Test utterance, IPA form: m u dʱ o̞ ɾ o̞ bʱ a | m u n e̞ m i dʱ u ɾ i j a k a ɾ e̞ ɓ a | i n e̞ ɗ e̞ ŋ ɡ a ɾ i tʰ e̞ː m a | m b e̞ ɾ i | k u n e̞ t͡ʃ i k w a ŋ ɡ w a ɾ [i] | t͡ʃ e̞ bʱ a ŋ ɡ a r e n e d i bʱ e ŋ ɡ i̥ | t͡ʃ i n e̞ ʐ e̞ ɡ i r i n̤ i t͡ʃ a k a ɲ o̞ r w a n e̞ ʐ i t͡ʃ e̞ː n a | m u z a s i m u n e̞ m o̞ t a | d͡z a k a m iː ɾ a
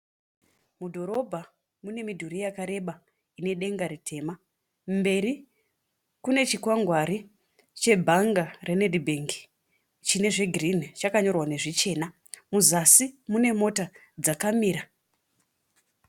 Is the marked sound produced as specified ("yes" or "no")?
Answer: yes